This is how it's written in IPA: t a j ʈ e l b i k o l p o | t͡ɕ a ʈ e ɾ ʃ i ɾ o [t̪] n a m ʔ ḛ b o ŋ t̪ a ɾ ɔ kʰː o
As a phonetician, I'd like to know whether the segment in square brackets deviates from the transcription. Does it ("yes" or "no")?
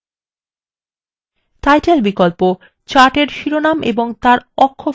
yes